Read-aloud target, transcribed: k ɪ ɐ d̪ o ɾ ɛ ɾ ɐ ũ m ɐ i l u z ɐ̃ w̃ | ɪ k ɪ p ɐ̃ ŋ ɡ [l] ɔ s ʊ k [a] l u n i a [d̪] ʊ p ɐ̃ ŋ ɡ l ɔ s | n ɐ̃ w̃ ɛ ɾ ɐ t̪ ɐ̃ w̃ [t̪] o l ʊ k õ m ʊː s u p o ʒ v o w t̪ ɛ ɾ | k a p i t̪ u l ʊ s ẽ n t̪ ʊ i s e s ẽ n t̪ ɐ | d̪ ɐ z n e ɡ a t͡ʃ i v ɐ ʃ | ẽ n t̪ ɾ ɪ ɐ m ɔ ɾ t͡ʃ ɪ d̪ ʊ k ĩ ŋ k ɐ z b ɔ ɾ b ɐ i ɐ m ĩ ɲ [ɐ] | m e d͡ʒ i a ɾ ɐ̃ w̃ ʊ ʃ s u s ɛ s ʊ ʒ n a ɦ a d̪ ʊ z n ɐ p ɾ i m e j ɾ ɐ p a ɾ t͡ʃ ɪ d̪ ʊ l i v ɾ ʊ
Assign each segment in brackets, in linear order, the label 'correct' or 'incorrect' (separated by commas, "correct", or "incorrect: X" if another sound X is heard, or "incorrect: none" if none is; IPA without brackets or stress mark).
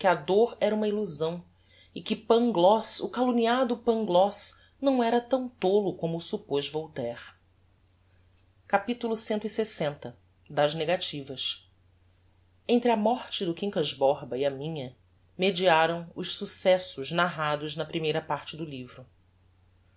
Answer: correct, correct, correct, correct, correct